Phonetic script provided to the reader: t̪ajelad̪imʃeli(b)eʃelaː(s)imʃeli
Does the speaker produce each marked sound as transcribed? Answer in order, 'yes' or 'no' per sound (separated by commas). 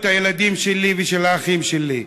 no, no